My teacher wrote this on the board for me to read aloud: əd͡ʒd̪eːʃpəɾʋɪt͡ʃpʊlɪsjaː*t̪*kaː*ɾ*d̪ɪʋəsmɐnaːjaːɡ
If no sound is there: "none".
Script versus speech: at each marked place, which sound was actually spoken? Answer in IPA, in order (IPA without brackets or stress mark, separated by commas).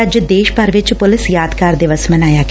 d̪, ɾ